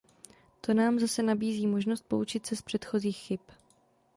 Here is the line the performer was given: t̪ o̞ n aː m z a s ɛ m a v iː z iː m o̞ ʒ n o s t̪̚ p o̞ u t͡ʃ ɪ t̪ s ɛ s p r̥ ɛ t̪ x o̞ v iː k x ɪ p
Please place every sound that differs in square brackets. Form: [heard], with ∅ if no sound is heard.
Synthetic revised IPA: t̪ o̞ n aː m z a s ɛ [n] a [b] iː z iː m o̞ ʒ n o s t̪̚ p o̞ u t͡ʃ ɪ t̪ s ɛ s p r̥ ɛ t̪ x o̞ [z] iː [x] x ɪ p